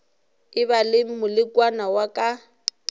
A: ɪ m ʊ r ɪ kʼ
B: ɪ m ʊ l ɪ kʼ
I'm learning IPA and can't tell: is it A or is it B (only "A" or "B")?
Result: B